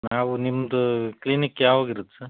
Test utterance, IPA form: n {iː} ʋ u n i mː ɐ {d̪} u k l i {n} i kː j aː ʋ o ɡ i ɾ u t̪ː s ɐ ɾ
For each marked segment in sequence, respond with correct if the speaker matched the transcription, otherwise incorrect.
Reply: incorrect, correct, correct

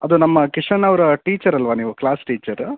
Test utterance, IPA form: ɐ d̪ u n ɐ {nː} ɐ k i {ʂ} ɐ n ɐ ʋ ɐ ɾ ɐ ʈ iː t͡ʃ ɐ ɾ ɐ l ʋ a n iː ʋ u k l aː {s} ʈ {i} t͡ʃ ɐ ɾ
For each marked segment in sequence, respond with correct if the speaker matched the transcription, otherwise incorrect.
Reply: incorrect, correct, correct, incorrect

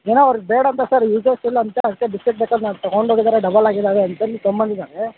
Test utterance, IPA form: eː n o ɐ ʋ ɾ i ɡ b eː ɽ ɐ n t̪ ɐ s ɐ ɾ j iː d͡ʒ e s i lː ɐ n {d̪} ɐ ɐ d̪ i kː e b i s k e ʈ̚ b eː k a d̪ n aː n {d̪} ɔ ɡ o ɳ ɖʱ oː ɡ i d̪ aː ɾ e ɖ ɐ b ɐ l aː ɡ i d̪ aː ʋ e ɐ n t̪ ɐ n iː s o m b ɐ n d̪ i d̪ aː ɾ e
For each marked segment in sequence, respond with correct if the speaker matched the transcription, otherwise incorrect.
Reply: incorrect, incorrect

